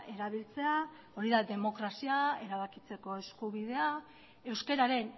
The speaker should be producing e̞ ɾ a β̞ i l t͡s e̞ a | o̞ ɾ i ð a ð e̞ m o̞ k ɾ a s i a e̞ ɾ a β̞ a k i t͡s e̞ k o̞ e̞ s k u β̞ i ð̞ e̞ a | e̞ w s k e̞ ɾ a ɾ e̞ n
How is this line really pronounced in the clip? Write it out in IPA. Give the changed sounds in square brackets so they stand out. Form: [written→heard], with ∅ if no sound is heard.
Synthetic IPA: e̞ ɾ a β̞ i l t͡s e̞ a | o̞ ɾ i ð a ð e̞ m o̞ k ɾ a s i a e̞ ɾ a β̞ a k i t͡s e̞ k o̞ e̞ s k u β̞ i ð̞ e̞ a | e̞ w s k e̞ ɾ a ɾ e̞ n